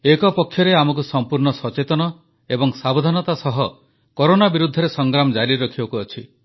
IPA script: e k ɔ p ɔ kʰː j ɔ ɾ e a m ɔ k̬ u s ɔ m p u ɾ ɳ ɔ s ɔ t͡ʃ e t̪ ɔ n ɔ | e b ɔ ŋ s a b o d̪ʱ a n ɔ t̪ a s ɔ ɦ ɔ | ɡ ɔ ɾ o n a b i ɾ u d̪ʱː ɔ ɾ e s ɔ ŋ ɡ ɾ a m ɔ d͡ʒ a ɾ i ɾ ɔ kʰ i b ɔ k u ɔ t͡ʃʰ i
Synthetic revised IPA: e k ɔ p ɔ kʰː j ɔ ɾ e a m ɔ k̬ u s ɔ m p u ɾ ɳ ɔ s ɔ t͡ʃ e t̪ ɔ n ɔ | e b ɔ ŋ s a b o d̪ʱ a n ɔ t̪ a s ɔ ɦ ɔ | k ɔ ɾ o n a b i ɾ u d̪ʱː ɔ ɾ e s ɔ ŋ ɡ ɾ a m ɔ d͡ʒ a ɾ i ɾ ɔ kʰ i b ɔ k u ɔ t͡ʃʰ i